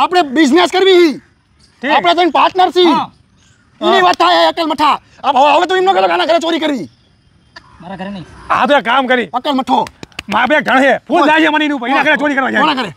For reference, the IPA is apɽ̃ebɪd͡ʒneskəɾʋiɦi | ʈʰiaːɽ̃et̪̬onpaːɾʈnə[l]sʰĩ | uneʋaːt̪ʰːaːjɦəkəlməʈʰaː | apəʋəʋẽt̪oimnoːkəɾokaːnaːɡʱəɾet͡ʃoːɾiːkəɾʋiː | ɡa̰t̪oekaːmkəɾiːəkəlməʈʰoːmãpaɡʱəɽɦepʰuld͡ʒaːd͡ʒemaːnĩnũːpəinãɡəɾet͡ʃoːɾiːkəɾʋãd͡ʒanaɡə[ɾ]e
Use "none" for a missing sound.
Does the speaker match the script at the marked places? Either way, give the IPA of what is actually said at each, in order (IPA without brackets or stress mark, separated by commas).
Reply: ɾ, ɾ